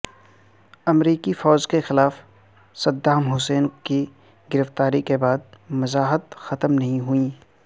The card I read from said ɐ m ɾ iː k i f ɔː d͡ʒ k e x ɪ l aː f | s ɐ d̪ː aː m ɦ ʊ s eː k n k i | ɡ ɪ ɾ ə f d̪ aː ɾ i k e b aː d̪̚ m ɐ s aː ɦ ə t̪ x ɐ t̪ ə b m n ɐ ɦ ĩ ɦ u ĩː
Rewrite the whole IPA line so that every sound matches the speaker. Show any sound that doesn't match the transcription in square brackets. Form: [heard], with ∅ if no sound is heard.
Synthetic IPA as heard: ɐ m ɾ iː k i f ɔː d͡ʒ k e x ɪ l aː f | s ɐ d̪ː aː m ɦ ʊ s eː [∅] n k i | ɡ ɪ ɾ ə f [t̪] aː ɾ i k e b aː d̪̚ m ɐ [z] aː ɦ ə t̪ x ɐ t̪ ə [∅] m n ɐ ɦ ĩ ɦ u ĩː